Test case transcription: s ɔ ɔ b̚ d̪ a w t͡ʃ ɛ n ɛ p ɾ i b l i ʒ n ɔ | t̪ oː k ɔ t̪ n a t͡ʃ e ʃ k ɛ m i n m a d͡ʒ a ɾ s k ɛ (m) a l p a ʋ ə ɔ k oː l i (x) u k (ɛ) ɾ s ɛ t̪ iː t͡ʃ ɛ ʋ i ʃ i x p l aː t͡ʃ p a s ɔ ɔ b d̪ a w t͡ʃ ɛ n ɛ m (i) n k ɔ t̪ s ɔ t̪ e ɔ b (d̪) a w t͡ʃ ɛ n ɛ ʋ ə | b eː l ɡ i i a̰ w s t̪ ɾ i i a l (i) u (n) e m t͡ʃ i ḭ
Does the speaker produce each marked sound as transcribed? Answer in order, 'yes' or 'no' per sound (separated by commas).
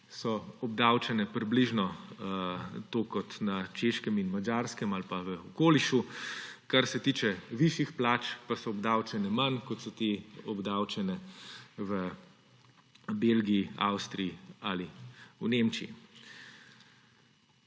yes, no, no, no, yes, yes, yes